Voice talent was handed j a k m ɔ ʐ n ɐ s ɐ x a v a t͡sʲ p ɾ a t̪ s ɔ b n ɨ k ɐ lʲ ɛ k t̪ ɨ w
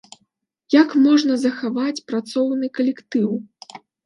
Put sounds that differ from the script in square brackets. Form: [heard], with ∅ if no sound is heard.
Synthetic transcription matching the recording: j a k m ɔ ʐ n ɐ [z] ɐ x a v a t͡sʲ p ɾ a t̪ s ɔ [w] n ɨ k ɐ lʲ ɛ k t̪ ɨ w